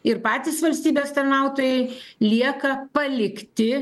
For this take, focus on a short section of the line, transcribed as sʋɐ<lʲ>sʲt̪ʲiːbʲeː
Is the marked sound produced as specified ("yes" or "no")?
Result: yes